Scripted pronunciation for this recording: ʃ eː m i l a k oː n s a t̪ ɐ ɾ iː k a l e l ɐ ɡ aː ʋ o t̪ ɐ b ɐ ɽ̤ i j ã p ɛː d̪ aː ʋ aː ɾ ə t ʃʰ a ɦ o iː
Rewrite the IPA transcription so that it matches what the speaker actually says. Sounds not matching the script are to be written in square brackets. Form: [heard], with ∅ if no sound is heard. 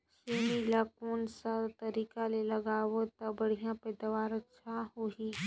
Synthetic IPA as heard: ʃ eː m i l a k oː n s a t̪ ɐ ɾ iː k a l e l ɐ ɡ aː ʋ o t̪ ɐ b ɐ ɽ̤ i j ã p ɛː d̪ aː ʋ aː ɾ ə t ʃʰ a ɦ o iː